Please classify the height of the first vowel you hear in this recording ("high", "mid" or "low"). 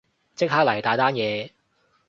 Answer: high